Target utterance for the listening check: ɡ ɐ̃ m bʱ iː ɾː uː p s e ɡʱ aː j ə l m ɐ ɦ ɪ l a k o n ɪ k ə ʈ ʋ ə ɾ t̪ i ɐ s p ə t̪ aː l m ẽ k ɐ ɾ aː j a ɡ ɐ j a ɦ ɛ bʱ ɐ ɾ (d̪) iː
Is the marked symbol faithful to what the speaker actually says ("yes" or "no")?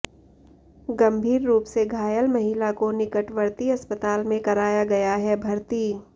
no